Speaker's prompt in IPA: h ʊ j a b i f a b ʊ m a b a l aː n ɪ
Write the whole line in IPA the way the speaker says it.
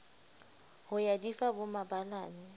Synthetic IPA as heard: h ʊ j a d i f a b ʊ m a b a l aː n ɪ